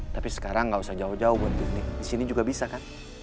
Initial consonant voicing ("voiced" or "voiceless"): voiceless